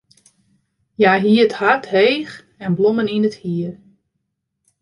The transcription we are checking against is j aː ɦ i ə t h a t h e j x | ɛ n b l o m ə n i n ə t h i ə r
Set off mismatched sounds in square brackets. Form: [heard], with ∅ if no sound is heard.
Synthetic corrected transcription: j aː ɦ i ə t h a t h e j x | ɛ n b l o m ə n i n ə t h i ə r